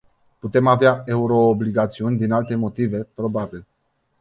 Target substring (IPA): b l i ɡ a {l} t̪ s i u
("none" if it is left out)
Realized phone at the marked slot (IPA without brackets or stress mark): none